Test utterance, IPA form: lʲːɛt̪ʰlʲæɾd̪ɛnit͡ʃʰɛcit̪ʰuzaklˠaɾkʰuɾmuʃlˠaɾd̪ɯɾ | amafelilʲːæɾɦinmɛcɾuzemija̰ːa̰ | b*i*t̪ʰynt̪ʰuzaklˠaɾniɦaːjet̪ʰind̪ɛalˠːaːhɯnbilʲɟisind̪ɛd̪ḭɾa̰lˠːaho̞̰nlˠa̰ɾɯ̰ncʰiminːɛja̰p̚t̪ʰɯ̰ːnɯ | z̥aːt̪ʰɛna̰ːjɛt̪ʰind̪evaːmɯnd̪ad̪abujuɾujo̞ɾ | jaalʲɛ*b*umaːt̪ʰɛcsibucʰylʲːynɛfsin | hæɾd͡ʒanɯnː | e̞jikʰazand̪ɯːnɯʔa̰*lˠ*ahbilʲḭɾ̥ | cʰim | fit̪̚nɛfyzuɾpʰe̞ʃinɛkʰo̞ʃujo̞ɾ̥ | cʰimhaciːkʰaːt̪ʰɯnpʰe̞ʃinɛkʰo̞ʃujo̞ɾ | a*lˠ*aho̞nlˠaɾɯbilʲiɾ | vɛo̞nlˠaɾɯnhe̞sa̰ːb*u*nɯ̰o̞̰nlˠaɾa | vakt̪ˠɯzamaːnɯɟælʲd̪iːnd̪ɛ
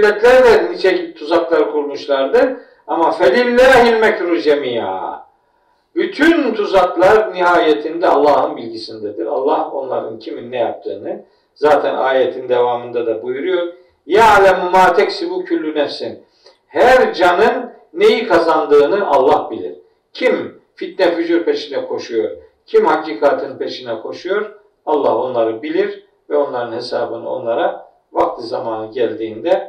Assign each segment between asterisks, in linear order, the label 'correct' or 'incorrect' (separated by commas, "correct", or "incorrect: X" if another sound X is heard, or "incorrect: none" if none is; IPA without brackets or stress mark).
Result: incorrect: y, incorrect: m, incorrect: lˠː, incorrect: lˠː, incorrect: ɯ